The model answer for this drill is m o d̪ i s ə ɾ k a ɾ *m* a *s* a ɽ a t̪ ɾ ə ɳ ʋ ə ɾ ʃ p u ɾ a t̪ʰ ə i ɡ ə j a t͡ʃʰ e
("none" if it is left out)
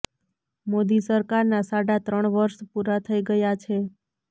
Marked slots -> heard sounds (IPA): n, s

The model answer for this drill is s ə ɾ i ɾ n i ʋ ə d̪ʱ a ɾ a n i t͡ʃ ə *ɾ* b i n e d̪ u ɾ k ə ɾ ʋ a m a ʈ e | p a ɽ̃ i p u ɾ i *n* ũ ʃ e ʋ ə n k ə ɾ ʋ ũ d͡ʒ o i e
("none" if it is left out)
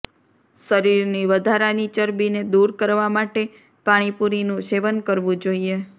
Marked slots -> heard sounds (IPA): ɾ, n

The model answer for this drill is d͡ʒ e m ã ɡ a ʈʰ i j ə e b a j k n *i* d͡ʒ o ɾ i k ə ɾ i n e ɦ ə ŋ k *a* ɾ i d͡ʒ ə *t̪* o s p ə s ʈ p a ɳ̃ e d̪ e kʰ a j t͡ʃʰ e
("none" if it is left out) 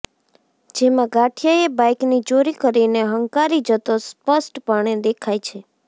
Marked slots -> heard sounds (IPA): i, a, t̪

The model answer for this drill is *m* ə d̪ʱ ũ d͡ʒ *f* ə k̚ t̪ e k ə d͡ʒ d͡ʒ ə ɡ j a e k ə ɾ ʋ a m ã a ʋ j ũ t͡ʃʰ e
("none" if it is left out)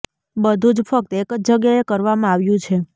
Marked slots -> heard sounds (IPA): b, f

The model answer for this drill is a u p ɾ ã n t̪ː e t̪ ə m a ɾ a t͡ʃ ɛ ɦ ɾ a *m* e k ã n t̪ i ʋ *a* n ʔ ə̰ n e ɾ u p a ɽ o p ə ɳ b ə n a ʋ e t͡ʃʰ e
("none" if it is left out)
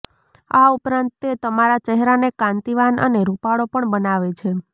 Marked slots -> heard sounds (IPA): n, a

